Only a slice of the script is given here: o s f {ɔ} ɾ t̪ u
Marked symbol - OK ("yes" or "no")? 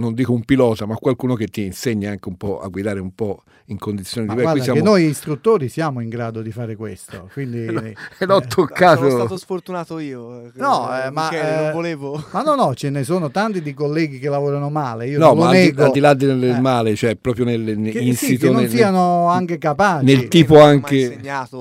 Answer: no